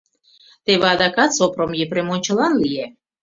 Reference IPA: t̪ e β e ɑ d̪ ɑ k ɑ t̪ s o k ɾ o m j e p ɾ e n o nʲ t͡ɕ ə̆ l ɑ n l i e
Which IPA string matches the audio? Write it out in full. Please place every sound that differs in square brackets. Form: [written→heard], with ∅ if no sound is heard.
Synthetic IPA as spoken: t̪ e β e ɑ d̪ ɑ k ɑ t̪ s o [k→p] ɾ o m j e p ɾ e [n→m] o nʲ t͡ɕ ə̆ l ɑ n l i e